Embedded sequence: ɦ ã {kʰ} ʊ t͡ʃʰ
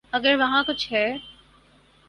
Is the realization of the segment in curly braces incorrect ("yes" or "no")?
yes